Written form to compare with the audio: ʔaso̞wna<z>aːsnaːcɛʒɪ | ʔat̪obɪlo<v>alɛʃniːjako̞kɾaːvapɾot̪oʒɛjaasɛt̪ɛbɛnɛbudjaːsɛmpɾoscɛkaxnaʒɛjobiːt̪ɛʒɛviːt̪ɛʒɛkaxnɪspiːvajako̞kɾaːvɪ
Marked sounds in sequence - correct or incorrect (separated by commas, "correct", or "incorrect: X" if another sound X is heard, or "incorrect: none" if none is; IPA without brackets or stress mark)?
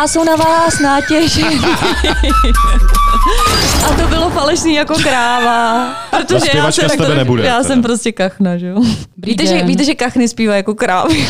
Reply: incorrect: v, incorrect: f